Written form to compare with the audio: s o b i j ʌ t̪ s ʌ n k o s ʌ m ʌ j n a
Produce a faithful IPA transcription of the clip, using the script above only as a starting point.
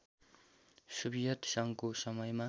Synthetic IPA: s u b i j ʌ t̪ s ʌ ŋ k o s ʌ m ʌ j m a